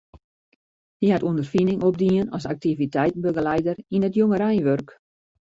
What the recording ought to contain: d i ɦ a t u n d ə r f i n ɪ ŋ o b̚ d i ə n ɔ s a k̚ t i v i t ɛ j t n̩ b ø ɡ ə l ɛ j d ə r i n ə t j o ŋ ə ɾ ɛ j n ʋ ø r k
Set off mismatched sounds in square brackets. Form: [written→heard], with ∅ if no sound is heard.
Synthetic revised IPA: d i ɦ a t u n d ə r f i n ɪ ŋ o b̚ d i ə n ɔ s a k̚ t i v i t ɛ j t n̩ b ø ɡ ə l ɛ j d ə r i n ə t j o ŋ ə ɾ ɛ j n ʋ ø r k